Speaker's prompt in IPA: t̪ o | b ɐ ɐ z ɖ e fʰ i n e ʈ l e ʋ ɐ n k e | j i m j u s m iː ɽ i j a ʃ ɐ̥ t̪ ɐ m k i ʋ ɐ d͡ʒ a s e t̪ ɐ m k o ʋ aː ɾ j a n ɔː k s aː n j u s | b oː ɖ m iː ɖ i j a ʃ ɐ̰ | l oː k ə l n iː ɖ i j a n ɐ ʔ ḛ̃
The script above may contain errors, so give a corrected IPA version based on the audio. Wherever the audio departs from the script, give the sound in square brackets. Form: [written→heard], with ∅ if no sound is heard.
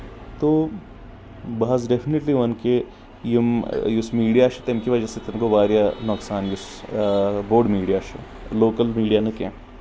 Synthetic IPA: t̪ o | b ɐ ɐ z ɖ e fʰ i n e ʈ l [e→i] ʋ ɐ n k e | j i m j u s m iː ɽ i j a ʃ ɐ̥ t̪ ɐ m k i ʋ ɐ d͡ʒ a s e t̪ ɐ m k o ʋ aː ɾ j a n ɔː k s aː n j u s | b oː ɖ m iː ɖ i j a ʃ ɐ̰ | l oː k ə l [n→m] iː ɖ i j a n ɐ [ʔ→k] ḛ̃